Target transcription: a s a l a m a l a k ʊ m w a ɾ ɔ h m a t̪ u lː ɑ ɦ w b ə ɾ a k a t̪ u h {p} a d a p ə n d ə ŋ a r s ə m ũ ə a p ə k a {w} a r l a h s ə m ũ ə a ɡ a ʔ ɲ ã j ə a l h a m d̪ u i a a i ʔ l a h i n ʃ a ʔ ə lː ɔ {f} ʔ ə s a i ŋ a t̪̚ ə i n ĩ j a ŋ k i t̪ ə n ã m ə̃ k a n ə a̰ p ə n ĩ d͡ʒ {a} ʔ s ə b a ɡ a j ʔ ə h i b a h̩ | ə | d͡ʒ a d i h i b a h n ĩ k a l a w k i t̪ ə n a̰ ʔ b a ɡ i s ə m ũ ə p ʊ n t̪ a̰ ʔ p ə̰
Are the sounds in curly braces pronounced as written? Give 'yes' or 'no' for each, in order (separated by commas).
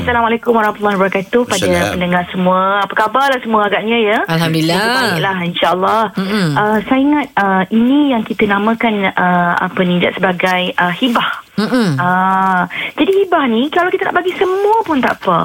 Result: yes, no, no, yes